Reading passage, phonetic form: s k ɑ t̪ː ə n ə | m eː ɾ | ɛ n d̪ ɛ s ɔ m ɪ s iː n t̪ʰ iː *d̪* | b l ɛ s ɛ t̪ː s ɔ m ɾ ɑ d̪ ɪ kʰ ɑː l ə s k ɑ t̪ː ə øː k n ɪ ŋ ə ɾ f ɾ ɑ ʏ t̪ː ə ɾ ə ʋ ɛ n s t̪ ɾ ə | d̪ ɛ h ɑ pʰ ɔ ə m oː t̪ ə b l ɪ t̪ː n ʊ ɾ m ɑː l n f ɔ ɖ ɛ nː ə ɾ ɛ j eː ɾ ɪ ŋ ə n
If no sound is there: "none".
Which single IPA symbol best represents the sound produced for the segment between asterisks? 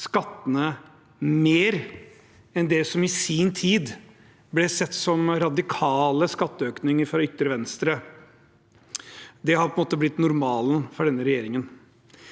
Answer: d̪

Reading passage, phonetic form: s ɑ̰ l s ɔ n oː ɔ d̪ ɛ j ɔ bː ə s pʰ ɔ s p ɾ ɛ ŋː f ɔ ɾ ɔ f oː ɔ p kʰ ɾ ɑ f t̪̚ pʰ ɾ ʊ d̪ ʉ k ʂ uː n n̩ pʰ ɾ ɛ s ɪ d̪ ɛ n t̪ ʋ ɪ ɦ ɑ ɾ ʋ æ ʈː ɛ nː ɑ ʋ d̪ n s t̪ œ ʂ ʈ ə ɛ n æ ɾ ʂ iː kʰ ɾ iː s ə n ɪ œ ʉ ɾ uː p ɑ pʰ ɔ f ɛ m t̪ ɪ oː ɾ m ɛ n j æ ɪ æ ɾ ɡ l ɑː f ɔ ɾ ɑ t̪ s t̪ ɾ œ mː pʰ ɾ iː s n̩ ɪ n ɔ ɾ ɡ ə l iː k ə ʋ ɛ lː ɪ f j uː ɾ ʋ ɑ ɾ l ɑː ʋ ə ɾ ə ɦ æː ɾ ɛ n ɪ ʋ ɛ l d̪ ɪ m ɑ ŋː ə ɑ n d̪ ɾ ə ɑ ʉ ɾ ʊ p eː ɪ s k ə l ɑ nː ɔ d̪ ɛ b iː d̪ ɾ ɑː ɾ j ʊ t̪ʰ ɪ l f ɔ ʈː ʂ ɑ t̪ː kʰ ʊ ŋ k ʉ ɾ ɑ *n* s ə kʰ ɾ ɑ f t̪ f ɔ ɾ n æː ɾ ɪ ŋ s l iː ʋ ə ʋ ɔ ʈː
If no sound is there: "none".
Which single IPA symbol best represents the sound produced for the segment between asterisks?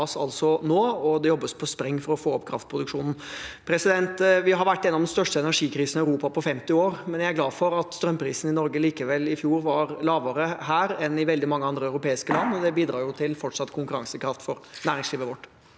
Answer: ŋ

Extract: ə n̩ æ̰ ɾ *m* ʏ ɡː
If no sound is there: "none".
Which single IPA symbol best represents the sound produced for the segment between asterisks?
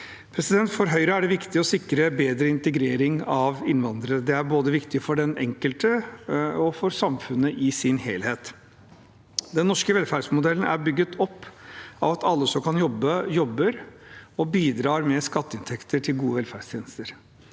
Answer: b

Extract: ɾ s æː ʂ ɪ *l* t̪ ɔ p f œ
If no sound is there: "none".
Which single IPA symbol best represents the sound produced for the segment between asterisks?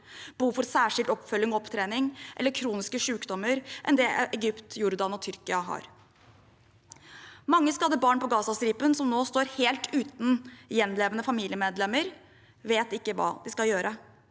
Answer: l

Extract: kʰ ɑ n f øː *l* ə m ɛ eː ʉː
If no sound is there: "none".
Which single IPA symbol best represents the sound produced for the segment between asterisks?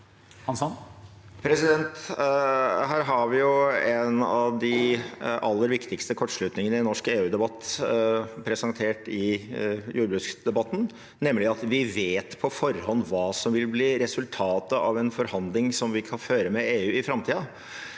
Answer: ɾ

